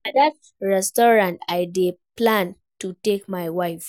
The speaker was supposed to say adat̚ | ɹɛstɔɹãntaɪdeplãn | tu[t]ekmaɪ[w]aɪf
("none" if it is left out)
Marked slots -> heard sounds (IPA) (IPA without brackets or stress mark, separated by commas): t, w